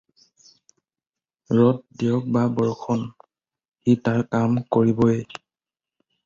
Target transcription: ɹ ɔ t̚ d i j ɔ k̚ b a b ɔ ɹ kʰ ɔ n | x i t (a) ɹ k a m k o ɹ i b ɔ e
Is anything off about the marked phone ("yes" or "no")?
no